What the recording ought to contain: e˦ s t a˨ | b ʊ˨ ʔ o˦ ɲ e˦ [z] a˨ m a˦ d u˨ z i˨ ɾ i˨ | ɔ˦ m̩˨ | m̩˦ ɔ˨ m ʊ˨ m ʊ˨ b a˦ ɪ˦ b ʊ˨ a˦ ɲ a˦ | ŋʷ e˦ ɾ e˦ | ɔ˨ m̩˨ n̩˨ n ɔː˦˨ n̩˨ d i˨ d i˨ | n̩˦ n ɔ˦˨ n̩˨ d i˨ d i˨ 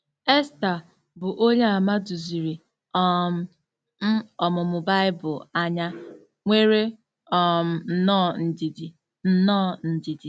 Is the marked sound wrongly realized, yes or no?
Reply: yes